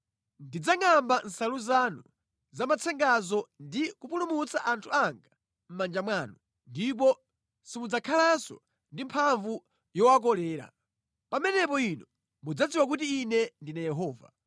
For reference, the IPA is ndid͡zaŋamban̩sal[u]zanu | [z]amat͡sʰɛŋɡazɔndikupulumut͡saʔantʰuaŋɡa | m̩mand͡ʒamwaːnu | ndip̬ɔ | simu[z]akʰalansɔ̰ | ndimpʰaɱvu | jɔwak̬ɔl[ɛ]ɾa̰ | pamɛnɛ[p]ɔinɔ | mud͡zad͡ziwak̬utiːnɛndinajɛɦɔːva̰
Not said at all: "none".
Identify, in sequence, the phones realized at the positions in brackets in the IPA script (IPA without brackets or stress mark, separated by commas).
u, z, d͡z, ɛː, p